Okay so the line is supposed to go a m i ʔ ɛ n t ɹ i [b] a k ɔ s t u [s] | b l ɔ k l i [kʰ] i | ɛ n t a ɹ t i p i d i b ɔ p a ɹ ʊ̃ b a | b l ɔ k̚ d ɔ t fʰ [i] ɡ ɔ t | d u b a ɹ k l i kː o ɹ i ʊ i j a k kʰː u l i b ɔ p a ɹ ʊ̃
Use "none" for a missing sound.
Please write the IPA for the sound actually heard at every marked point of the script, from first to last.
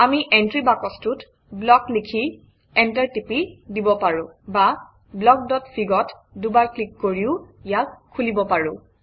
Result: b, t, kʰ, i

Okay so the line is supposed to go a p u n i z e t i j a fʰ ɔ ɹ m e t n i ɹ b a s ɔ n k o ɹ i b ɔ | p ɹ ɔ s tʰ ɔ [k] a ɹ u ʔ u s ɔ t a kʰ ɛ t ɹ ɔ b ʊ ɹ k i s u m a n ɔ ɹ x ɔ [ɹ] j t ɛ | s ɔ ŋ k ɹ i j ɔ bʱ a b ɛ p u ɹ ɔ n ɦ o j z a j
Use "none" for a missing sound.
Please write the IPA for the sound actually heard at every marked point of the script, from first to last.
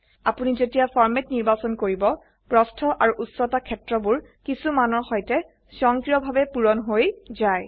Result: ʔ, none

